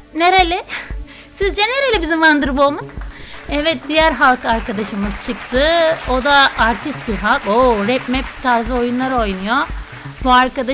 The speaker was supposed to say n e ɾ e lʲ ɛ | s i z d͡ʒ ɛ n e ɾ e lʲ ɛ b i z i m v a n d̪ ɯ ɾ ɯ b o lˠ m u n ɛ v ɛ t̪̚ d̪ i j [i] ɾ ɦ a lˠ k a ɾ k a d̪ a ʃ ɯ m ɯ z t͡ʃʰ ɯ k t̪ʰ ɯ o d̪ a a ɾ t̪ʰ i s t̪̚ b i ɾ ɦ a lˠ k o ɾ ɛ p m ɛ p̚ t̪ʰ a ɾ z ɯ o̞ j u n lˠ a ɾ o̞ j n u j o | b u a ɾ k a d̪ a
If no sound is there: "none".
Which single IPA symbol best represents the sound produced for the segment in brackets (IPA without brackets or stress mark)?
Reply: æ